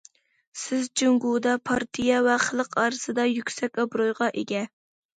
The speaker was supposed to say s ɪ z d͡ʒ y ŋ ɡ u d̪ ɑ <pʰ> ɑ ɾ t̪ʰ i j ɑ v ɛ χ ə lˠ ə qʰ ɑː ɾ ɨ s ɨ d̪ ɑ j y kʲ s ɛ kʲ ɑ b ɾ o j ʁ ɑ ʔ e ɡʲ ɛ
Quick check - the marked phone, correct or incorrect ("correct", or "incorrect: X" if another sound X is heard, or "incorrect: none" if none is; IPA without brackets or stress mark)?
correct